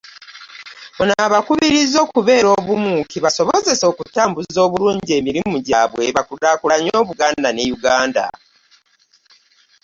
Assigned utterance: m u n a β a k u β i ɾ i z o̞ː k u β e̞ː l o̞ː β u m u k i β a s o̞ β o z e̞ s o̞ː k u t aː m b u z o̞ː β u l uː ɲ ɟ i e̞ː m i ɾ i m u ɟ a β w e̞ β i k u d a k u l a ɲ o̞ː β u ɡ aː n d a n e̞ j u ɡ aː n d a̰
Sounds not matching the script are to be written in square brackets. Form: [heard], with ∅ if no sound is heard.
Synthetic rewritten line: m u n a β a k u β i ɾ i z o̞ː k u β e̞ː [ɾ] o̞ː β u m u k i β a s o̞ β o z e̞ s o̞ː k u t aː m b u z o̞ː β u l uː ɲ ɟ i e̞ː m i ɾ i m u ɟ a β w e̞ β [a] k u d a k u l a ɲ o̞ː β u ɡ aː n d a n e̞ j u ɡ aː n d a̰